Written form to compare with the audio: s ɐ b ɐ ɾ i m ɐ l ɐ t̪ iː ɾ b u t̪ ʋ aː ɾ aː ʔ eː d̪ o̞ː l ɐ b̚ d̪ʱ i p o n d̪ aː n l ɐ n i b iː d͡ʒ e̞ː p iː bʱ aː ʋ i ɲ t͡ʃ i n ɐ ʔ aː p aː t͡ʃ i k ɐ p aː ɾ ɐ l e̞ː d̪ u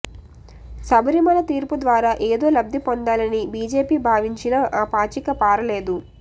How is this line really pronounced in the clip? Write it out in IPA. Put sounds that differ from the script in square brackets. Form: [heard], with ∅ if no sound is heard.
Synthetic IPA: s ɐ b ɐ ɾ i m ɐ l ɐ t̪ iː ɾ [p] u [d̪] ʋ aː ɾ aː ʔ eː d̪ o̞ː l ɐ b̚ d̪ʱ i p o n d̪ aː [∅] l ɐ n i b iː d͡ʒ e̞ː p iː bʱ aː ʋ i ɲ t͡ʃ i n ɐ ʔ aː p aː t͡ʃ i k ɐ p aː ɾ ɐ l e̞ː d̪ u